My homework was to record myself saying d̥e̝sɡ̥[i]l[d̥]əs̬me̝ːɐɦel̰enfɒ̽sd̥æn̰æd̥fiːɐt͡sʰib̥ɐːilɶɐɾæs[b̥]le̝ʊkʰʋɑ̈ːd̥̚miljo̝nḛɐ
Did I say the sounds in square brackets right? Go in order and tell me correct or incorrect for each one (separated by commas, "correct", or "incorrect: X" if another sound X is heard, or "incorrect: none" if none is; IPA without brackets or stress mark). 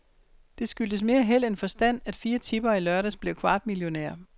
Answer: incorrect: y, correct, correct